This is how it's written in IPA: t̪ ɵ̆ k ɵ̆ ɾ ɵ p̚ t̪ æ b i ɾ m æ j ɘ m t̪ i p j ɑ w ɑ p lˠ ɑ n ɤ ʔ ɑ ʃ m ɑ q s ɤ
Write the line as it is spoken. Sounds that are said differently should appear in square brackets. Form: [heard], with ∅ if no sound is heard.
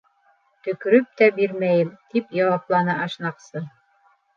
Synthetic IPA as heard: t̪ ɵ̆ k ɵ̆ ɾ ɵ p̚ t̪ æ b i ɾ m æ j ɘ m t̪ i p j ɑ w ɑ p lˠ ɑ n ɤ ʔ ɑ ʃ [n] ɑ q s ɤ